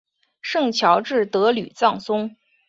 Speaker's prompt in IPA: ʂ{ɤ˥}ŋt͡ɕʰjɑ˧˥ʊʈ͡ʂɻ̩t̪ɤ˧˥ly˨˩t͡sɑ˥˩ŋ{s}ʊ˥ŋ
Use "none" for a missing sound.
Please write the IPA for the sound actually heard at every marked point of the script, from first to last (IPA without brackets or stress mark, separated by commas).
ɤ˥˩, s